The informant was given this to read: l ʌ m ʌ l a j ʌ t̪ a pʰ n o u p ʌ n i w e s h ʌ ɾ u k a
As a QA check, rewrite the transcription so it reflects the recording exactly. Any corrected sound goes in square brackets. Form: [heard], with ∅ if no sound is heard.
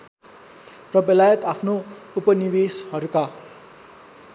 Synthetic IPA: [r] ʌ [b] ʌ l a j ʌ t̪ a pʰ n o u p ʌ n i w e s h ʌ ɾ u k a